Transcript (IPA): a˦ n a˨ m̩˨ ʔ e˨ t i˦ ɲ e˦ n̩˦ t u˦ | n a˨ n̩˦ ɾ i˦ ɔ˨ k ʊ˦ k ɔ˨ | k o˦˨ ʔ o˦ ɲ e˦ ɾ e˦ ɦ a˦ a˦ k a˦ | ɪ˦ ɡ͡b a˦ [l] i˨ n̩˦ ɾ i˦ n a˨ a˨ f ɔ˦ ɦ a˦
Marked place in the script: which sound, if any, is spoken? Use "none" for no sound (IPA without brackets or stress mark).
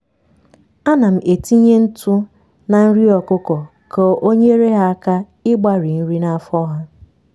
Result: ɾ